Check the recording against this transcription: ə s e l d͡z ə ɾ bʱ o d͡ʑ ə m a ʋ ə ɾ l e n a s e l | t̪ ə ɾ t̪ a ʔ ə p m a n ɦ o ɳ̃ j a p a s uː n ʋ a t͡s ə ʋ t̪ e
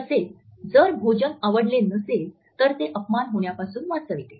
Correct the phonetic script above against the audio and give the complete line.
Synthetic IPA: ə s e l d͡z ə ɾ bʱ o d͡ʑ ə n a ʋ ə ɽ l e n ə s e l | t̪ ə ɾ t̪ e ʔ ə p m a n ɦ o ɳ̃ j a p a s uː n ʋ a t͡s ə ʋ t̪ e